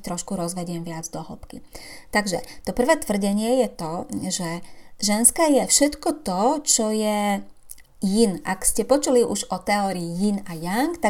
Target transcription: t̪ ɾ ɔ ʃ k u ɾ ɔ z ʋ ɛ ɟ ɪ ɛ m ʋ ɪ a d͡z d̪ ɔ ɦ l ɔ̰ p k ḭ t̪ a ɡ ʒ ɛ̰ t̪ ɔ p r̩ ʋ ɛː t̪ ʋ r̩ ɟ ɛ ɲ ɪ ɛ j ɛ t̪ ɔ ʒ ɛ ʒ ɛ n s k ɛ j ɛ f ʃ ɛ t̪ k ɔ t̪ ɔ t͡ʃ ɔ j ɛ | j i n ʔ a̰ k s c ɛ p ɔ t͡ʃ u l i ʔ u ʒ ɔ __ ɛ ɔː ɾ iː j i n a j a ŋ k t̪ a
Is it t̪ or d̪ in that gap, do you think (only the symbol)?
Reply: t̪